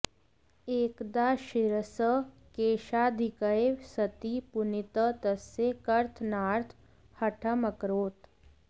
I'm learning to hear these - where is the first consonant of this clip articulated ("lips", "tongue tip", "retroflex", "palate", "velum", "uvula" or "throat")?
velum